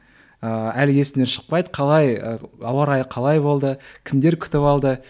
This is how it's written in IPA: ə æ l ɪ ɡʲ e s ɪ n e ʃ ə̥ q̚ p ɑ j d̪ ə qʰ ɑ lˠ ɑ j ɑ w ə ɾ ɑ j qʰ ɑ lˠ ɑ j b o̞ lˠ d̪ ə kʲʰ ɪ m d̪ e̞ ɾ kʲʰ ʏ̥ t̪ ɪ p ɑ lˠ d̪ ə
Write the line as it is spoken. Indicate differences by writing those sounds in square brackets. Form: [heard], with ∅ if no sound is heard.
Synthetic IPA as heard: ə æ l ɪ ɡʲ e s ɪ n e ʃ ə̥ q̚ p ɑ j d̪ ə qʰ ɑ lˠ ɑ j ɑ w [ɑ] ɾ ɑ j qʰ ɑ lˠ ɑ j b o̞ lˠ d̪ ə kʲʰ ɪ m d̪ e̞ ɾ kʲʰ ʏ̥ t̪ ɪ p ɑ lˠ d̪ ə